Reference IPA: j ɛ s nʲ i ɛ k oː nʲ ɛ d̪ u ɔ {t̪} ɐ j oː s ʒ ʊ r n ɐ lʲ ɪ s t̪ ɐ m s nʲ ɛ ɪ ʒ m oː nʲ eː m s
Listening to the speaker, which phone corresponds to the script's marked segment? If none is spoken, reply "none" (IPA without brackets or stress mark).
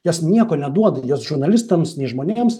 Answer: d̪